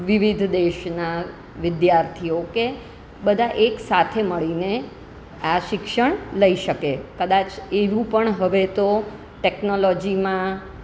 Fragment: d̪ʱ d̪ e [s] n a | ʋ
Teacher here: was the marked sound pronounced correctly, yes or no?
no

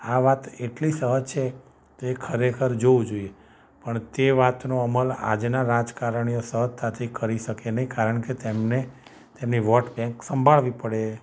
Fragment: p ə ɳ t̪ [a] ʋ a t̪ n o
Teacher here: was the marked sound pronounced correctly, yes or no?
no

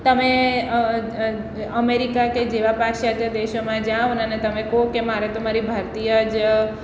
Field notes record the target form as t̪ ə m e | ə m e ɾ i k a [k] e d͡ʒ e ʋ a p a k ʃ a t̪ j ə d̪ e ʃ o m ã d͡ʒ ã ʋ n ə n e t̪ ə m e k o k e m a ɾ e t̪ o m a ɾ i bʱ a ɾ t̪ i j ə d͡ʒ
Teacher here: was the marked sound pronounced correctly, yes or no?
yes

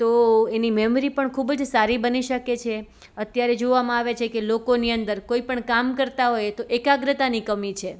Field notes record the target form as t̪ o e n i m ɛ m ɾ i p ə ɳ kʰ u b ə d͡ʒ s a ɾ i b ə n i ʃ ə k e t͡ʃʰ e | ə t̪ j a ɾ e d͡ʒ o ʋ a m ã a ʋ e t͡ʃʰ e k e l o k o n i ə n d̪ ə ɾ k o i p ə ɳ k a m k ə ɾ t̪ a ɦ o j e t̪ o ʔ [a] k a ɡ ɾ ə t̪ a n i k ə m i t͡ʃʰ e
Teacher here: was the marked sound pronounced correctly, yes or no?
no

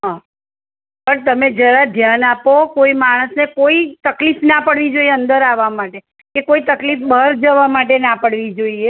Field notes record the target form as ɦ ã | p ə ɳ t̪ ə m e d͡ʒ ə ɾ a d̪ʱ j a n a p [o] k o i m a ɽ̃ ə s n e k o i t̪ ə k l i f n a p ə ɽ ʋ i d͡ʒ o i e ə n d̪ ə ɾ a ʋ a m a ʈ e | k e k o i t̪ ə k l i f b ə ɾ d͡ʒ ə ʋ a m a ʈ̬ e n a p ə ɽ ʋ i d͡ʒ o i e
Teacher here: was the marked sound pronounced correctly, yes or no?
yes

